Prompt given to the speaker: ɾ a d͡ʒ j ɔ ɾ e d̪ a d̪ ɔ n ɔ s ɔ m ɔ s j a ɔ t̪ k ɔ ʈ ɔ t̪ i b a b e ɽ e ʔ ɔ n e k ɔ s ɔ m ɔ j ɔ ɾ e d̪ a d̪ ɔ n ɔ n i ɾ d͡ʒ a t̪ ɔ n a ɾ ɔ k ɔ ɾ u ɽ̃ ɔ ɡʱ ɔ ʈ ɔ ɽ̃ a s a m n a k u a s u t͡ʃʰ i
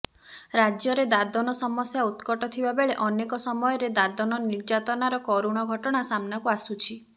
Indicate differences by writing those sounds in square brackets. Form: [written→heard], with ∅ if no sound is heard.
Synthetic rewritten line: ɾ a d͡ʒ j ɔ ɾ e d̪ a d̪ ɔ n ɔ s ɔ m ɔ s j a [ɔ→u] t̪ k ɔ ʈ ɔ [t̪→t̪ʰ] i b a b e [ɽ→ɭ] e ʔ ɔ n e k ɔ s ɔ m ɔ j ɔ ɾ e d̪ a d̪ ɔ n ɔ n i ɾ d͡ʒ a t̪ ɔ n a ɾ ɔ k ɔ ɾ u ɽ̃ ɔ ɡʱ ɔ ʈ ɔ ɽ̃ a s a m n a k u a s u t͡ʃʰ i